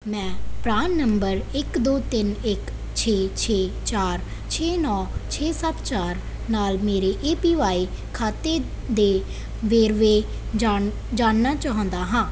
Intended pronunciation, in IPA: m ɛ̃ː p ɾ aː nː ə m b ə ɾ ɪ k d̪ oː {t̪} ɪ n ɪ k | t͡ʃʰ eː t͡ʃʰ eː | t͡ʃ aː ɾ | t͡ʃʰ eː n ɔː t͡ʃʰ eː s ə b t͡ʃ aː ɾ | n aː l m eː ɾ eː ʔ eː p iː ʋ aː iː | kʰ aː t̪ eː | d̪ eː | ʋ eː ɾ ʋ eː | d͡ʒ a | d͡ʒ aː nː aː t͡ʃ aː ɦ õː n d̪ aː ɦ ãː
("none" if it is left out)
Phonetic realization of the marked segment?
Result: t̪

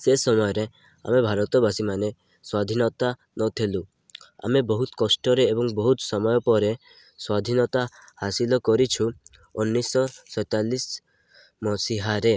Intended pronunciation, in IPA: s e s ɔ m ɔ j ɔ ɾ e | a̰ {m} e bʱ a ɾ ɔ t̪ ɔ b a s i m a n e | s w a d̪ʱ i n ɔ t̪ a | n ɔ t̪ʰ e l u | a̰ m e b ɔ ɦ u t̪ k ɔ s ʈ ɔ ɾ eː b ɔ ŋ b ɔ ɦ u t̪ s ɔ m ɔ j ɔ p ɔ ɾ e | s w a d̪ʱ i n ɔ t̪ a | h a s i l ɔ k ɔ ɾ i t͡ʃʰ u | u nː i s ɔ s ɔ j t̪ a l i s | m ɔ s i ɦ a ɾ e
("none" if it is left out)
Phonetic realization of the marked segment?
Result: m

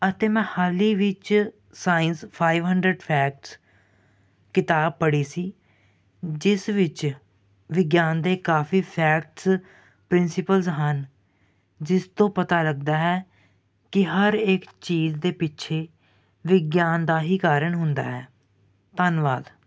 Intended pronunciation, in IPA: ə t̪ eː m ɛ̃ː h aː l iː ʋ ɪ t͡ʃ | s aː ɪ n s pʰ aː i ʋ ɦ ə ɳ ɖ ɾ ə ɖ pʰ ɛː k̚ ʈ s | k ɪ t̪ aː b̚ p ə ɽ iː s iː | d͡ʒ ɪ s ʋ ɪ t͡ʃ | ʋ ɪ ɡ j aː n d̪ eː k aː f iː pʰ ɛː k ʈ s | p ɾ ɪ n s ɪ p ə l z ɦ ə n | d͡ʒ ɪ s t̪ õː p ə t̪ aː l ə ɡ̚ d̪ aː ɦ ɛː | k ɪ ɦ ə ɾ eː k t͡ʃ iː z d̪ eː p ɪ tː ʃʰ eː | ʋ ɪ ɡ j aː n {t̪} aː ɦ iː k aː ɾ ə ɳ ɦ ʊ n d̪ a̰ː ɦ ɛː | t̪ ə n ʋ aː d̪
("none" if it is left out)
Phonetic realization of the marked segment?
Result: d̪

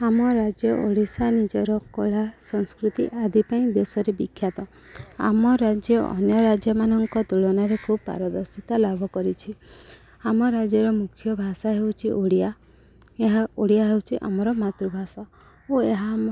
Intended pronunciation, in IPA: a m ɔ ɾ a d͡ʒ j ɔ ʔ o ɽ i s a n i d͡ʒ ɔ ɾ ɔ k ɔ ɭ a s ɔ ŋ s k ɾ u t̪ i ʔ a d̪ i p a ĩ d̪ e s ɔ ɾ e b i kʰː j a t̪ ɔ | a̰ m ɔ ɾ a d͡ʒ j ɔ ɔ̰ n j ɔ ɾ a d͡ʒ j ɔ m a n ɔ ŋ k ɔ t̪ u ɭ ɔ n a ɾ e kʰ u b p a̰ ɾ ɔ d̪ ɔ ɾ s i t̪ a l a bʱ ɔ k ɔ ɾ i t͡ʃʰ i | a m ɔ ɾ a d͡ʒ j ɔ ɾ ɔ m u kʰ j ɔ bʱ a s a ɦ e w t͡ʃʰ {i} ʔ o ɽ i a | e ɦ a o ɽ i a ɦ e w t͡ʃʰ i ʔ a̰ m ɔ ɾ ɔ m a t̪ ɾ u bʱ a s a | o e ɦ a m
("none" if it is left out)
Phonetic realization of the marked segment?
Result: i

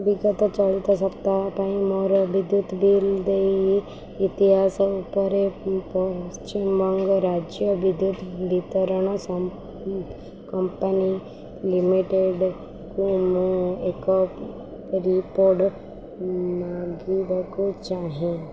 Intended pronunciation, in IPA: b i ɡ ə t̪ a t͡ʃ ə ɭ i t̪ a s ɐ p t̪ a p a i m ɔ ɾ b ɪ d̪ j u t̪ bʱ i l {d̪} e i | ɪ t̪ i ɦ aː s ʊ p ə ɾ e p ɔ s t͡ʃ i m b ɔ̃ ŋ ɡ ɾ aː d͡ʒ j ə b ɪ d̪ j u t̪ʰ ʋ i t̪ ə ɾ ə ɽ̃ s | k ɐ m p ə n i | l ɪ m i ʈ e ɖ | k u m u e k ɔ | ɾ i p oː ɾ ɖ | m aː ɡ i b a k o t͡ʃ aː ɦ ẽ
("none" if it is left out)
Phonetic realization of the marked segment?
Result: d̪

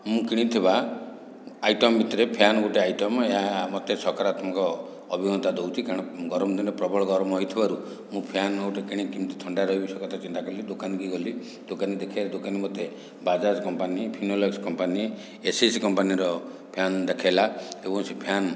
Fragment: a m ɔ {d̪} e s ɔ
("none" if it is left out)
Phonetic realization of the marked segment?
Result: t̪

